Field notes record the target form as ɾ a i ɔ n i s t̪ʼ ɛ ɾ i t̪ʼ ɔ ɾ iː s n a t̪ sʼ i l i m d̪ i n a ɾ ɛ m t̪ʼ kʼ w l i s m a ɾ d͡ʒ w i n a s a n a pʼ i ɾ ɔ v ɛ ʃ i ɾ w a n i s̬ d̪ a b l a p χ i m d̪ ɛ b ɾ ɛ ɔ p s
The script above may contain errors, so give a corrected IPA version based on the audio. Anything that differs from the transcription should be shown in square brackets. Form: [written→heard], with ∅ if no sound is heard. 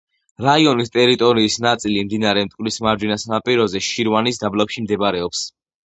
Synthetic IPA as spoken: ɾ a i ɔ n i s t̪ʼ ɛ ɾ i t̪ʼ ɔ ɾ iː s n a t̪ sʼ i l i m d̪ i n a ɾ ɛ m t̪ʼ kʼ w l i s m a ɾ d͡ʒ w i n a s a n a pʼ i ɾ ɔ [v→z] ɛ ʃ i ɾ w a n i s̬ d̪ a b l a p [χ→ʃ] i m d̪ ɛ b ɾ ɛ ɔ p s